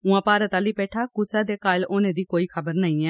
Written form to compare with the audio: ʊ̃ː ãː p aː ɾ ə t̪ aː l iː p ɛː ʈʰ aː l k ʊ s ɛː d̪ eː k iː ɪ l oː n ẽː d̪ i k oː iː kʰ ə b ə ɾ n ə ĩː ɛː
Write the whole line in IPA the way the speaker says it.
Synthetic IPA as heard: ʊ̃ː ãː p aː ɾ ə t̪ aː l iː p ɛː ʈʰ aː k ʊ s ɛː d̪ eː k aː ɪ l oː n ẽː d̪ iː k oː iː kʰ ə b ə ɾ n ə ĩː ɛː